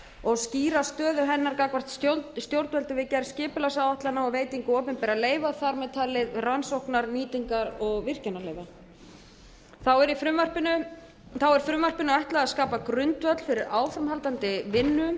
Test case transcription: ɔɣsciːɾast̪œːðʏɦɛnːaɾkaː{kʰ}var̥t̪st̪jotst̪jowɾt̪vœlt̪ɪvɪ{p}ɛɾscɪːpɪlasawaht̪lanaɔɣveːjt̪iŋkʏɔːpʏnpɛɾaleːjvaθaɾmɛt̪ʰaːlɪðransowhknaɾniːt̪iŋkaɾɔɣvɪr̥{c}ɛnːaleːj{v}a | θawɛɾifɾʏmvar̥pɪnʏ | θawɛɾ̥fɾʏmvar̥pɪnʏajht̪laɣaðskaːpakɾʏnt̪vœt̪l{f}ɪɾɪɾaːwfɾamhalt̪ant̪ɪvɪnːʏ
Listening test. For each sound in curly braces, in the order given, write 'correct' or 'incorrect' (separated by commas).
incorrect, incorrect, correct, correct, correct